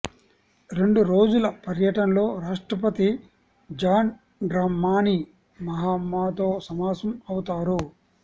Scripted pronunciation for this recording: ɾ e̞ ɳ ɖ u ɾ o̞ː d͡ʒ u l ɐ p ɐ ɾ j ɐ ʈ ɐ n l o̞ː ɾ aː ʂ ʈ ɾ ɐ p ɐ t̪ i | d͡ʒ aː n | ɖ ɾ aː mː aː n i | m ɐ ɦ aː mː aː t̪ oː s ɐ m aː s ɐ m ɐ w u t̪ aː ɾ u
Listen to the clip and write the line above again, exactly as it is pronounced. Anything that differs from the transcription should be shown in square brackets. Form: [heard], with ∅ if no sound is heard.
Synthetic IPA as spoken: ɾ e̞ ɳ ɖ u ɾ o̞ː d͡ʒ u l ɐ p ɐ ɾ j ɐ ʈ ɐ n l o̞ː ɾ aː ʂ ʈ ɾ ɐ p ɐ t̪ i | d͡ʒ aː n | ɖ ɾ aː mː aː n i | m ɐ ɦ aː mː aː t̪ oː s ɐ m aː s ɐ m ɐ w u t̪ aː ɾ u

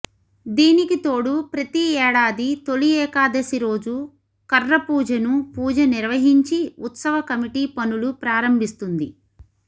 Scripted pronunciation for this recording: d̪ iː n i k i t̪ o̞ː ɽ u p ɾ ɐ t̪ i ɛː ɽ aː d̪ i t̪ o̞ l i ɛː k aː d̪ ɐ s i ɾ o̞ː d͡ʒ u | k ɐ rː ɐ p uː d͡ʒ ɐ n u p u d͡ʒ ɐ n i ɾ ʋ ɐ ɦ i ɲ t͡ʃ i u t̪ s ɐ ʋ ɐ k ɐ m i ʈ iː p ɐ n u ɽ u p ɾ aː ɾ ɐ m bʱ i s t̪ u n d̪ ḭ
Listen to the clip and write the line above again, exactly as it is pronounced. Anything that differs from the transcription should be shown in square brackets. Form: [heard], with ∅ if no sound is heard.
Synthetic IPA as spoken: d̪ iː n i k i t̪ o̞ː ɽ u p ɾ ɐ t̪ i ɛː ɽ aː d̪ i t̪ o̞ l i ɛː k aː d̪ ɐ s i ɾ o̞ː d͡ʒ u | k ɐ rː ɐ p uː d͡ʒ ɐ n u p [uː] d͡ʒ ɐ n i ɾ ʋ ɐ ɦ i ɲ t͡ʃ i u t̪ s ɐ ʋ ɐ k ɐ m i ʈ iː p ɐ n u [l] u p ɾ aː ɾ ɐ m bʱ i s t̪ u n d̪ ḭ

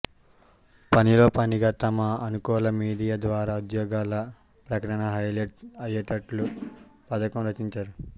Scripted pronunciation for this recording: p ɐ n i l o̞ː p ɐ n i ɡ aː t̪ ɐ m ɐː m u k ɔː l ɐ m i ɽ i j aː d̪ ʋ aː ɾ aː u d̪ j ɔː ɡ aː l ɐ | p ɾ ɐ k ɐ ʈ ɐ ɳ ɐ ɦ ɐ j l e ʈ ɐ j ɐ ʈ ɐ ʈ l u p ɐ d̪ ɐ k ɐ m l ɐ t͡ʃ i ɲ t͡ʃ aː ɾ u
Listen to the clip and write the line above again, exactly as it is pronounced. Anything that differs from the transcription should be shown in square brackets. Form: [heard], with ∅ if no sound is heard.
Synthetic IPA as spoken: p ɐ n i l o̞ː p ɐ n i ɡ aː t̪ ɐ m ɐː [n] u k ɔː l ɐ m [iː] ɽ i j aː d̪ ʋ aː ɾ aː u d̪ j ɔː ɡ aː l ɐ | p ɾ ɐ k ɐ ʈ ɐ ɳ ɐ ɦ ɐ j l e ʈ ɐ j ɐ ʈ ɐ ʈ l u p ɐ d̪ ɐ k ɐ m [ɾ] ɐ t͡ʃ i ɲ t͡ʃ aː ɾ u

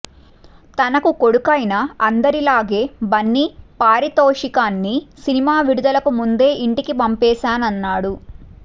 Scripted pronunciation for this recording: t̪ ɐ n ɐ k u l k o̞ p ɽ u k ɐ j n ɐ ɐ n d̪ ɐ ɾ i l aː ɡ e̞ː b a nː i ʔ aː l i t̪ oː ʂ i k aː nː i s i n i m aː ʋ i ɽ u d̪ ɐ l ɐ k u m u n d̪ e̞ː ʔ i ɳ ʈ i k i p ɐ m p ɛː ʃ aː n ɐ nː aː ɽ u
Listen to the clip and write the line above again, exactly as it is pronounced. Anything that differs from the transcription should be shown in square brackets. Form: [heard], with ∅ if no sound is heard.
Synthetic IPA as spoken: t̪ ɐ n ɐ k u [∅] k o̞ [∅] ɽ u k ɐ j n ɐ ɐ n d̪ ɐ ɾ i l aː ɡ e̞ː b [ɐ] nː i [p] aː [ɾ] i t̪ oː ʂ i k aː nː i s i n i m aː ʋ i ɽ u d̪ ɐ l ɐ k u m u n d̪ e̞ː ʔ i ɳ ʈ i k i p ɐ m p ɛː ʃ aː n ɐ nː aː ɽ u

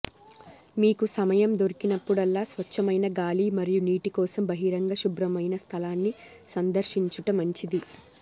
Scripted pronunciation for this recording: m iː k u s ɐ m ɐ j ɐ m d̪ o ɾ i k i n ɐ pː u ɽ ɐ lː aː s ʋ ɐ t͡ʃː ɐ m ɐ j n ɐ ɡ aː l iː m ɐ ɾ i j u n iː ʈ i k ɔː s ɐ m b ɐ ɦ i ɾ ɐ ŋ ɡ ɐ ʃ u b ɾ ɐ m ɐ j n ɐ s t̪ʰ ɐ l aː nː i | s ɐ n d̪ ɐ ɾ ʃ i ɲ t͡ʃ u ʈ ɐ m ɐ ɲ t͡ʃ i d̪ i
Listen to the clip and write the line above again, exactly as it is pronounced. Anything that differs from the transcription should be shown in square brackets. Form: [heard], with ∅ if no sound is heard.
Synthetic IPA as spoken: m iː k u s ɐ m ɐ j ɐ m d̪ o ɾ i k i n ɐ pː u ɽ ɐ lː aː s ʋ ɐ t͡ʃː ɐ m ɐ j n ɐ ɡ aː l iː m ɐ ɾ i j u n iː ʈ i k ɔː s ɐ m b ɐ ɦ i ɾ ɐ ŋ ɡ ɐ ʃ u b ɾ ɐ m ɐ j n ɐ s t̪ʰ ɐ l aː nː i | s ɐ n d̪ ɐ ɾ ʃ i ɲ t͡ʃ u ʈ ɐ m ɐ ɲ t͡ʃ i d̪ i

